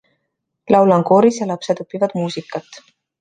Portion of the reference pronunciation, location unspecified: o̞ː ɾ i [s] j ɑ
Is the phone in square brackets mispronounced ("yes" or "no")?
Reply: no